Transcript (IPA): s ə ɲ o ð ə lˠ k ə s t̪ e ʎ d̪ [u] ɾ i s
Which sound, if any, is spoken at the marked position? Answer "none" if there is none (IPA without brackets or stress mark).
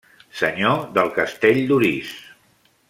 u